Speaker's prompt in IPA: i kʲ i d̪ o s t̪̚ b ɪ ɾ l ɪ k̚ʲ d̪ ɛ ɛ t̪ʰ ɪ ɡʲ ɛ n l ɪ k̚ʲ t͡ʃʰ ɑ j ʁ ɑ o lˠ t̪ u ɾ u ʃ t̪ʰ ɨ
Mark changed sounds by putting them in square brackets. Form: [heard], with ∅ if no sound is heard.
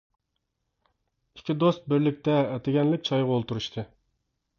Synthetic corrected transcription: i kʲ i d̪ o s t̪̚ b ɪ ɾ l ɪ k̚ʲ [t̪] ɛ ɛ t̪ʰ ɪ ɡʲ ɛ n l ɪ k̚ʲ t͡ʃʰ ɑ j ʁ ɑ o lˠ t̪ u ɾ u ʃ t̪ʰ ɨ